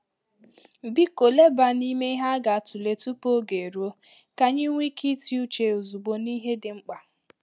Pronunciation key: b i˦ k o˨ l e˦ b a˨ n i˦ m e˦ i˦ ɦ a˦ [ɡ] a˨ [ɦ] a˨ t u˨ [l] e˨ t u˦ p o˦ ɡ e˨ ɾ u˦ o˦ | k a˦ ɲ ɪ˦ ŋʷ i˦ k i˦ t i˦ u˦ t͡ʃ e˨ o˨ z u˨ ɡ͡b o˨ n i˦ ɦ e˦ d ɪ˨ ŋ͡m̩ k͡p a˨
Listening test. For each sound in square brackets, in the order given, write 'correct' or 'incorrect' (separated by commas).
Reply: correct, incorrect, correct